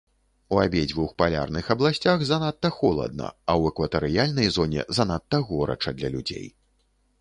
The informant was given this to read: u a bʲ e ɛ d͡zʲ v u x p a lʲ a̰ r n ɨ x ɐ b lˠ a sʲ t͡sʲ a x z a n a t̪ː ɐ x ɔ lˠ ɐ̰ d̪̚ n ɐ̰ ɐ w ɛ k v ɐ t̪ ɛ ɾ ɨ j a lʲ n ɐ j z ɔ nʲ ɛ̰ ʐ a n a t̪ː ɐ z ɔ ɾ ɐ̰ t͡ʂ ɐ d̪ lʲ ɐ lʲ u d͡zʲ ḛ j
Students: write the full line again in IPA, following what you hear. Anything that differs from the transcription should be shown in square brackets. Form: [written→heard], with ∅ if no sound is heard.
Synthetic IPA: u a bʲ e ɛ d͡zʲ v u x p a lʲ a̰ r n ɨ x ɐ b lˠ a sʲ t͡sʲ a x z a n a t̪ː ɐ x ɔ lˠ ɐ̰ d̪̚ n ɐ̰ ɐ w ɛ k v ɐ t̪ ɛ ɾ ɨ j a lʲ n ɐ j z ɔ nʲ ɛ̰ [ʐ→z] a n a t̪ː ɐ [z→ɣ] ɔ ɾ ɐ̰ t͡ʂ ɐ d̪ lʲ ɐ lʲ u d͡zʲ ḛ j

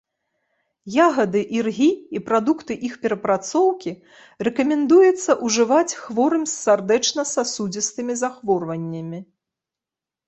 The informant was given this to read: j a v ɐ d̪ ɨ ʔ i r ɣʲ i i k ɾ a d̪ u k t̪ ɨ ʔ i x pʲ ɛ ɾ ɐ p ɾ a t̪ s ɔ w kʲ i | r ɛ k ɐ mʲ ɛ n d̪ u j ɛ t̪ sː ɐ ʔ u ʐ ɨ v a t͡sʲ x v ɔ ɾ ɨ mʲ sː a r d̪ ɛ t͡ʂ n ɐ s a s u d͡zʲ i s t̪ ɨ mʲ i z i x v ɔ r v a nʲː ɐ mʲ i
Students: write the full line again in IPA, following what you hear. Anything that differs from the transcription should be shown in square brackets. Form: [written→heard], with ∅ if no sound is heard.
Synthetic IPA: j a [v→ɣ] ɐ d̪ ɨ ʔ i r ɣʲ i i [k→p] ɾ a d̪ u k t̪ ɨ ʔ i x pʲ ɛ ɾ ɐ p ɾ a t̪ s ɔ w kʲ i | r ɛ k ɐ mʲ ɛ n d̪ u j ɛ t̪ sː ɐ ʔ u ʐ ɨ v a t͡sʲ x v ɔ ɾ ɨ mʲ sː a r d̪ ɛ t͡ʂ n ɐ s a s u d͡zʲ i s t̪ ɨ mʲ i z [i→a] x v ɔ r v [a→ɐ] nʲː ɐ mʲ i

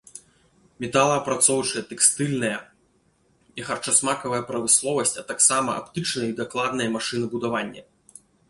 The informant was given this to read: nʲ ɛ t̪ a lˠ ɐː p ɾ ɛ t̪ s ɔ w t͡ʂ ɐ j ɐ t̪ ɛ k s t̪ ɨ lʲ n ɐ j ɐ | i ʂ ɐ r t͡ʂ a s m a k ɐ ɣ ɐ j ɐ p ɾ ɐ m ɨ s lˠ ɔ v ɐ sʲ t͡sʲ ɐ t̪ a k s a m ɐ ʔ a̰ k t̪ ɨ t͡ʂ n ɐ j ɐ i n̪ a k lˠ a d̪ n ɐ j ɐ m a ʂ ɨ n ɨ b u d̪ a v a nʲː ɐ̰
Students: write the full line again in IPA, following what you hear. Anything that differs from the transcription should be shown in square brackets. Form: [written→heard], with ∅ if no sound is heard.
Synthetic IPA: [nʲ→mʲ] ɛ t̪ a lˠ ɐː p ɾ [ɛ→a] t̪ s ɔ w t͡ʂ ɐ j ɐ t̪ ɛ k s t̪ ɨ lʲ n ɐ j ɐ | i [ʂ→x] ɐ r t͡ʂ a s m a k ɐ [ɣ→v] ɐ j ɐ p ɾ ɐ m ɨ s lˠ ɔ v ɐ sʲ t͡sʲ ɐ t̪ a k s a m ɐ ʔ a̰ [k→p] t̪ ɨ t͡ʂ n ɐ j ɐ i [n̪→d̪] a k lˠ a d̪ n ɐ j ɐ m a ʂ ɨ n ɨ b u d̪ a v a nʲː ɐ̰

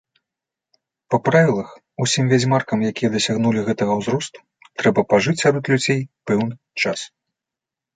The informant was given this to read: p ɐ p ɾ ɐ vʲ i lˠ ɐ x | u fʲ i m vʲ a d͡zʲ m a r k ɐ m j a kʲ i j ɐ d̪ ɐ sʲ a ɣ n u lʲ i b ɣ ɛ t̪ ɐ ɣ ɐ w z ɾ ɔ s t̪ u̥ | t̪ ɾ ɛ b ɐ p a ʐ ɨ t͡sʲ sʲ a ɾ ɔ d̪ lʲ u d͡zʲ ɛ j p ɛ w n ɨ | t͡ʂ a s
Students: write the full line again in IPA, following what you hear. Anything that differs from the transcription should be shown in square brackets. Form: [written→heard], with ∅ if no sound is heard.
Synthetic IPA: p ɐ p ɾ [ɐ→a] vʲ i lˠ ɐ x | u [fʲ→sʲ] i m vʲ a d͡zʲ m a r k ɐ m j a kʲ i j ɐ d̪ ɐ sʲ a ɣ n u lʲ i [b→∅] ɣ ɛ t̪ ɐ ɣ ɐ w z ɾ ɔ s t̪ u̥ | t̪ ɾ ɛ b ɐ p a ʐ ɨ t͡sʲ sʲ a ɾ ɔ [d̪→t̪] lʲ u d͡zʲ [ɛ→e] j p ɛ w n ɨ | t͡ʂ a s

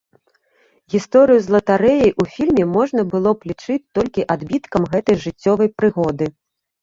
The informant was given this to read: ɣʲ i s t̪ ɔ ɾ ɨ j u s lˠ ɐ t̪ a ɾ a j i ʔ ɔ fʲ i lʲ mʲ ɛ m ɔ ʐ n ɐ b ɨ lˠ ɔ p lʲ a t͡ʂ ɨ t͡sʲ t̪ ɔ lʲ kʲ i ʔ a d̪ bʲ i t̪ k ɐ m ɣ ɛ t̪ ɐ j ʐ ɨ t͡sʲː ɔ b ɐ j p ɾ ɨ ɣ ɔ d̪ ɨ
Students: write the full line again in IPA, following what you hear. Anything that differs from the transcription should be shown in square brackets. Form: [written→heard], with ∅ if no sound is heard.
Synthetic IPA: ɣʲ i s t̪ ɔ ɾ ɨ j u [s→z] lˠ ɐ t̪ a ɾ [a→ɛ] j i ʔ [ɔ→u] fʲ i lʲ mʲ ɛ m ɔ ʐ n ɐ b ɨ lˠ ɔ p lʲ [a→i] t͡ʂ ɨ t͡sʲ t̪ ɔ lʲ kʲ i ʔ a d̪ bʲ i t̪ k ɐ m ɣ ɛ t̪ ɐ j ʐ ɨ t͡sʲː ɔ [b→v] ɐ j p ɾ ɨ ɣ ɔ d̪ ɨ

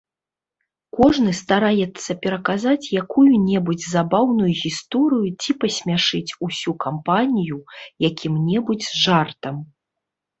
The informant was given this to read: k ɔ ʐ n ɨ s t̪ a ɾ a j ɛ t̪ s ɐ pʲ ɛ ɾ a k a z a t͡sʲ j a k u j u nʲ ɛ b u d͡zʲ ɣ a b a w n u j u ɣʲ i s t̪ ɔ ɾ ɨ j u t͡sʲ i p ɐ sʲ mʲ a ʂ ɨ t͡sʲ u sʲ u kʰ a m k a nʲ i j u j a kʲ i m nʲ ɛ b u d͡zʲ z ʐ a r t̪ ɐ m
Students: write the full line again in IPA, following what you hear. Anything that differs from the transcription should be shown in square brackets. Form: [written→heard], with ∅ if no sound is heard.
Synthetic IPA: k ɔ ʐ n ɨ s t̪ a ɾ a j ɛ t̪ [s→sː] ɐ pʲ ɛ ɾ [a→ɐ] k a z a t͡sʲ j a k u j u nʲ ɛ b u d͡zʲ [ɣ→z] a b a w n u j u ɣʲ i s t̪ ɔ ɾ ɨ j u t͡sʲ i p ɐ sʲ mʲ a ʂ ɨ t͡sʲ u sʲ u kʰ a m [k→p] a nʲ i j u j a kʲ i m nʲ ɛ b u d͡zʲ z ʐ a r t̪ ɐ m

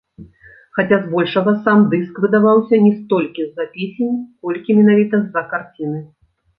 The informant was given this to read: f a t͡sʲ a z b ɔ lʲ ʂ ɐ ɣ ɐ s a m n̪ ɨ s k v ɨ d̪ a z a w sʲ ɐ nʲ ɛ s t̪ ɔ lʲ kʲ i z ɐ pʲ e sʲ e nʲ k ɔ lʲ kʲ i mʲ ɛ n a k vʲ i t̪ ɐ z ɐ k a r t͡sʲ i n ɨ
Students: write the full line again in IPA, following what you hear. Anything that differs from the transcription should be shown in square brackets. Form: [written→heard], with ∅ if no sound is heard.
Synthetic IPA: [f→x] a t͡sʲ a z b ɔ lʲ ʂ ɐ ɣ ɐ s a m [n̪→d̪] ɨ s k v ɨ d̪ a [z→v] a w sʲ ɐ nʲ ɛ s t̪ ɔ lʲ kʲ i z ɐ pʲ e sʲ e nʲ k ɔ lʲ kʲ i mʲ ɛ n a [k→∅] vʲ i t̪ ɐ z ɐ k a r t͡sʲ i n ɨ

